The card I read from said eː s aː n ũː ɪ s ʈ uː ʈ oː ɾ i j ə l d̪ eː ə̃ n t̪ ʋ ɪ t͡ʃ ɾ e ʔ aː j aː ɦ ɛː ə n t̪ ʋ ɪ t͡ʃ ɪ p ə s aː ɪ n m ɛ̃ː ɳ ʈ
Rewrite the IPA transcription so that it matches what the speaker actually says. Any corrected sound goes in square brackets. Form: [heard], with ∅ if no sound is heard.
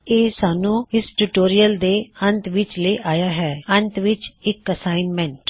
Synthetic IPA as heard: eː s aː n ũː ɪ s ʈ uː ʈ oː ɾ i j ə l d̪ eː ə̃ n t̪ ʋ ɪ t͡ʃ [l] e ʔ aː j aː ɦ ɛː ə n t̪ ʋ ɪ t͡ʃ ɪ [k] ə s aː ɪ n m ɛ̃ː ɳ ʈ